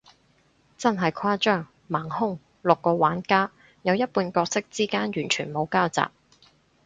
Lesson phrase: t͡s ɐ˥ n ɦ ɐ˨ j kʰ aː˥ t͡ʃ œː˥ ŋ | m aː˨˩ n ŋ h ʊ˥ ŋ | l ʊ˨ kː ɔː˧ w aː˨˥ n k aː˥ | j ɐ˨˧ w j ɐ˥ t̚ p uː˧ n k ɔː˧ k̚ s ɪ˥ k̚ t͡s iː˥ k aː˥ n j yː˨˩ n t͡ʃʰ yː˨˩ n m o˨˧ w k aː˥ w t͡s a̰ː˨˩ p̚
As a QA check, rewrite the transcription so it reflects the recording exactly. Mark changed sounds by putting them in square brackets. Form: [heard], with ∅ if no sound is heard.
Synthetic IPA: t͡s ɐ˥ n ɦ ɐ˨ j kʰ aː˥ t͡ʃ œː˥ ŋ | m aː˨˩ [∅] ŋ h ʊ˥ ŋ | l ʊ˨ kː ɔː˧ w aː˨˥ n k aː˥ | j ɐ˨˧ w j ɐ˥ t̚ p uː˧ n k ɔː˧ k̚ s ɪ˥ k̚ t͡s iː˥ k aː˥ n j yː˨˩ n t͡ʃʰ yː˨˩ n m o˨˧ w k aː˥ w t͡s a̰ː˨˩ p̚

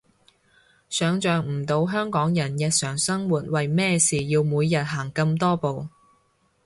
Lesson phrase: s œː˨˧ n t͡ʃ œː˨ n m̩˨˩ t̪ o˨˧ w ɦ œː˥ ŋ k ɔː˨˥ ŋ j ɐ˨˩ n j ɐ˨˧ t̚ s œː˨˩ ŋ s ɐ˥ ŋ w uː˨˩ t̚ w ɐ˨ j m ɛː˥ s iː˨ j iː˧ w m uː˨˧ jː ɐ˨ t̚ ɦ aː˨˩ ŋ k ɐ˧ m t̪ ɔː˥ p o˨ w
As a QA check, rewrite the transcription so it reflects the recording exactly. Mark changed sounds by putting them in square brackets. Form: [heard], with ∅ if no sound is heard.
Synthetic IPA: s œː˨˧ [ŋ] t͡ʃ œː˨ [ŋ] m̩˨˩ t̪ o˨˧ w ɦ œː˥ ŋ k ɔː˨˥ ŋ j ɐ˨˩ n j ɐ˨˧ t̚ s œː˨˩ ŋ s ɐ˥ ŋ w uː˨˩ t̚ w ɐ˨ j m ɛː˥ s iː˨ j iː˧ w m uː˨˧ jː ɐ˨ t̚ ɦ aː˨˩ ŋ k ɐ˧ m t̪ ɔː˥ p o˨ w

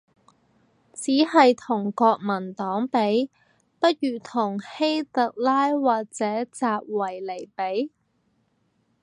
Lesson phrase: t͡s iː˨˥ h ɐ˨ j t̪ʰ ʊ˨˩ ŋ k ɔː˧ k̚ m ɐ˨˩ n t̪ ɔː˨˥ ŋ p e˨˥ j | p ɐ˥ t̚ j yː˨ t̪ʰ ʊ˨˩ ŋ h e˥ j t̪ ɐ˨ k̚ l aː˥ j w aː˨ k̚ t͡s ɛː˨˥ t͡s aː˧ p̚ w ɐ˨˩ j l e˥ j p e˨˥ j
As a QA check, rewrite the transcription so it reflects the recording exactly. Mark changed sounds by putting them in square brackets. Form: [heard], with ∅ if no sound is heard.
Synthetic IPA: t͡s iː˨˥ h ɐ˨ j t̪ʰ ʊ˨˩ ŋ k ɔː˧ k̚ m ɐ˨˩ n t̪ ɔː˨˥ ŋ p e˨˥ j | p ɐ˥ t̚ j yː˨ t̪ʰ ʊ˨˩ ŋ h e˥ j t̪ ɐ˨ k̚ l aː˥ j w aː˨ k̚ t͡s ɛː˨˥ t͡s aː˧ p̚ w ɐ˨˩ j l [e˨˩] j p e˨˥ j

